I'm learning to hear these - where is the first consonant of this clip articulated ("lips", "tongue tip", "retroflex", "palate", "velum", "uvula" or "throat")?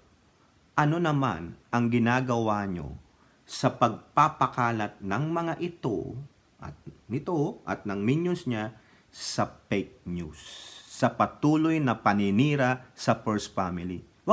throat